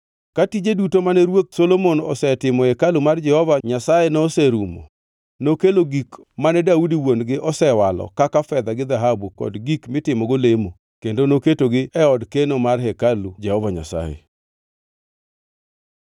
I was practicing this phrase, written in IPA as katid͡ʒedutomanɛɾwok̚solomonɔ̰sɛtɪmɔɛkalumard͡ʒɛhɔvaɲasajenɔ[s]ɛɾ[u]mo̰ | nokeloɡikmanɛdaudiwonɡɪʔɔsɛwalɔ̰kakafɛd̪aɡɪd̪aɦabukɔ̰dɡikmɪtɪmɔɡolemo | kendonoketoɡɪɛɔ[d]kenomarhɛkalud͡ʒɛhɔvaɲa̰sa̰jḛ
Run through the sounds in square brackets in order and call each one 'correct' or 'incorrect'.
correct, correct, correct

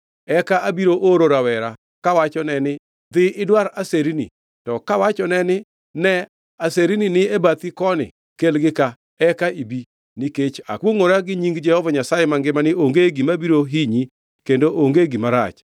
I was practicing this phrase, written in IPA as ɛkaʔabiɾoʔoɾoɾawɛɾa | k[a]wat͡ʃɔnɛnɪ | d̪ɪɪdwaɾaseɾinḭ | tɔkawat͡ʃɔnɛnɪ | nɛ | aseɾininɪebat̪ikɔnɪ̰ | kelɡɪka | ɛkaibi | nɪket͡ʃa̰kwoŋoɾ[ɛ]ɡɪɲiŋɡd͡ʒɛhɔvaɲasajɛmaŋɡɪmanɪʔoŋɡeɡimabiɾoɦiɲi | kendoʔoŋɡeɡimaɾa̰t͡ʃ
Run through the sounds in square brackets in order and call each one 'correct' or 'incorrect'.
correct, incorrect: a

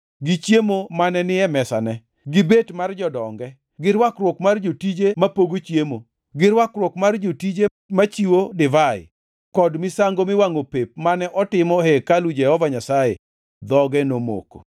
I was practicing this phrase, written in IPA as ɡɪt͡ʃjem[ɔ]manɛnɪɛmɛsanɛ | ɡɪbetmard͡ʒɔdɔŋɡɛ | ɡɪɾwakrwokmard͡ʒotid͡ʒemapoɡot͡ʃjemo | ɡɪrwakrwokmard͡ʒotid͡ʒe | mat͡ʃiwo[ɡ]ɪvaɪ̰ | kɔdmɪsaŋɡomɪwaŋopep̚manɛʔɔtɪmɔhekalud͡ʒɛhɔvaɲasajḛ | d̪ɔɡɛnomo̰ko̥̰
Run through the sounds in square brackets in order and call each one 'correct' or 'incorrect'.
incorrect: o, incorrect: d

